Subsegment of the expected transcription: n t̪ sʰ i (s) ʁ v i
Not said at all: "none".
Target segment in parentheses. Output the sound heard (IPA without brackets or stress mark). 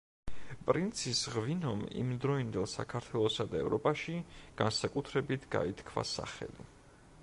s